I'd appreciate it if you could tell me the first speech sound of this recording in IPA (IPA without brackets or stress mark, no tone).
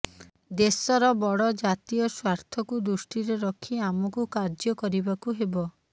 d̪